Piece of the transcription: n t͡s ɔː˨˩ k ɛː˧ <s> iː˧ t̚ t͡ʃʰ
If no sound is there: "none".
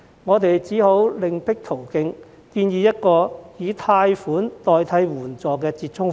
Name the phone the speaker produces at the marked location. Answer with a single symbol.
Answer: t͡s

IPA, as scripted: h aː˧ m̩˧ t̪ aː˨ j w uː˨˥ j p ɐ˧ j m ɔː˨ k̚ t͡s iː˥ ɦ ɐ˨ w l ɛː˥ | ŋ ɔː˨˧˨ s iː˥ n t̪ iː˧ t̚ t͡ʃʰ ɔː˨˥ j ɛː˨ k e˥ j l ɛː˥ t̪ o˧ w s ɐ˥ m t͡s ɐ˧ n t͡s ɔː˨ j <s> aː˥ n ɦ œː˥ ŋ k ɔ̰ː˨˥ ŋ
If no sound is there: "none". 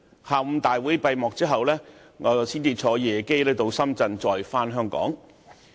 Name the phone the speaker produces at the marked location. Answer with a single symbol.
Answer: f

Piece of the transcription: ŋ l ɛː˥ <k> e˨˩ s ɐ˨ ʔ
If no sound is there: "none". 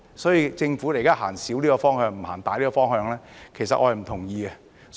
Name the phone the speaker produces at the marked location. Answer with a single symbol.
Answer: kʰ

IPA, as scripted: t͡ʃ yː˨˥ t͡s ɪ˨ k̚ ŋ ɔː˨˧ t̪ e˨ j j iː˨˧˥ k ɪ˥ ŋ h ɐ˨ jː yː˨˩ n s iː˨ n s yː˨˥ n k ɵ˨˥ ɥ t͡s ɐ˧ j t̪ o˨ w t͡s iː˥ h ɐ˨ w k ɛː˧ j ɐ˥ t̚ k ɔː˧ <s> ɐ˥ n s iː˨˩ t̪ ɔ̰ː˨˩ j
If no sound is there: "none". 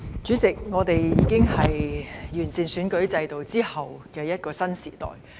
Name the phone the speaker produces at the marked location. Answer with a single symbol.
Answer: s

